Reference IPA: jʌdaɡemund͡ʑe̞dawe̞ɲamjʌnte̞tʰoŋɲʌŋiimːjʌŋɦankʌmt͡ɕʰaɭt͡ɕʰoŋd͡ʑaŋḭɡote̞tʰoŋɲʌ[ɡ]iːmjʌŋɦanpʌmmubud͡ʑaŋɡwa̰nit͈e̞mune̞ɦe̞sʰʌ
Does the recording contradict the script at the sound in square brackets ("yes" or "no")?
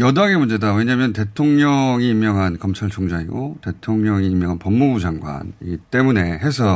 yes